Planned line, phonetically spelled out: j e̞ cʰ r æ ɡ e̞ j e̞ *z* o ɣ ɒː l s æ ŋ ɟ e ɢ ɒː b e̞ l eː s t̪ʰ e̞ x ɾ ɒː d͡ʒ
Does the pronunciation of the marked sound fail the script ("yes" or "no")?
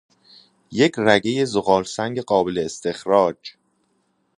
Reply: no